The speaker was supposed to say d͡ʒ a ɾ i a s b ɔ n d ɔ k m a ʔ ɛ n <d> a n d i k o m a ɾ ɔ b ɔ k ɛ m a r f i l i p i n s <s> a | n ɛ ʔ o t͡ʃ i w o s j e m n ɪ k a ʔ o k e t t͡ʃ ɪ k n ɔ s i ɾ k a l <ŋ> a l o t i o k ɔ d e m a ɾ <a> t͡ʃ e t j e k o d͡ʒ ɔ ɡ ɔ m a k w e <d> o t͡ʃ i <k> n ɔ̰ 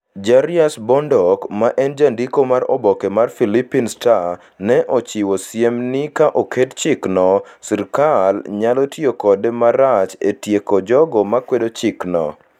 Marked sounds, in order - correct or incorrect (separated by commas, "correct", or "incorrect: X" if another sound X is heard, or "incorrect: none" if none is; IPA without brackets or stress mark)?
incorrect: d͡ʒ, incorrect: t, incorrect: ɲ, correct, correct, correct